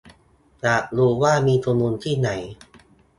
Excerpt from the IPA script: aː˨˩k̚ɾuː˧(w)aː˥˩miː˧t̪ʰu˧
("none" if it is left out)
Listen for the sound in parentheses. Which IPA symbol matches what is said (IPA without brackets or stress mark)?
w